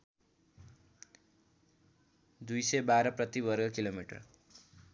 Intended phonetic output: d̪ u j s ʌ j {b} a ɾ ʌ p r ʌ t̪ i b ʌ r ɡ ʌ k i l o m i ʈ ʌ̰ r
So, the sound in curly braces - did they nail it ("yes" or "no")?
yes